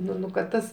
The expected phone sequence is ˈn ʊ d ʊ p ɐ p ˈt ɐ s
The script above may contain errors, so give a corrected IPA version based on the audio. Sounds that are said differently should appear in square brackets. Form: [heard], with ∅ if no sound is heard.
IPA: ˈn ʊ [n] ʊ [k] ɐ [t] ˈt ɐ s